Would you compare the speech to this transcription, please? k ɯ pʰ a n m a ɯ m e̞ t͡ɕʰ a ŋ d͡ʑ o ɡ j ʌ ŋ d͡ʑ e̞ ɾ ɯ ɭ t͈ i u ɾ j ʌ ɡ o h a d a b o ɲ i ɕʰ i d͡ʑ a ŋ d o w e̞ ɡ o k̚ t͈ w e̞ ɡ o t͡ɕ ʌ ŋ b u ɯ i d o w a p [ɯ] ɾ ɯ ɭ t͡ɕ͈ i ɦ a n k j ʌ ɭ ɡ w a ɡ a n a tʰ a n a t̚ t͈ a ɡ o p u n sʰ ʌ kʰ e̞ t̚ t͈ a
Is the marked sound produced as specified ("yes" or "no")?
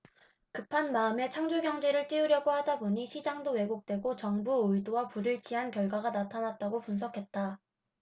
no